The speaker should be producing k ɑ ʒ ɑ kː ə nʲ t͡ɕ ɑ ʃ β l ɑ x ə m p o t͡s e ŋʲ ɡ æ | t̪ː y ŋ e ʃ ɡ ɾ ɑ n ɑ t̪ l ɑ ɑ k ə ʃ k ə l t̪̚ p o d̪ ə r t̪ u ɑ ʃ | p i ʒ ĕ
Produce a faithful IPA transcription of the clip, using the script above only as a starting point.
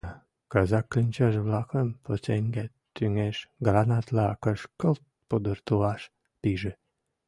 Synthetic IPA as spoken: k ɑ z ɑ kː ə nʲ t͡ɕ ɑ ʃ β l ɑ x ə m p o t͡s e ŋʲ ɡ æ | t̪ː y ŋ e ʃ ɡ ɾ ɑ n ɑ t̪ l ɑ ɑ k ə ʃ k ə l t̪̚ p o d̪ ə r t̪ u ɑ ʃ | p i ʒ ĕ